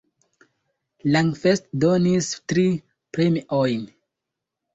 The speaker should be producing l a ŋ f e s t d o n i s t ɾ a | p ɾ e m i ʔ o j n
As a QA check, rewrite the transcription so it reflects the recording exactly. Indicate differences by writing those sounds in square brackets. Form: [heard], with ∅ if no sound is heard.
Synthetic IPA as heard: l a ŋ f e s t d o n i s t ɾ [i] | p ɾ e m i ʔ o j n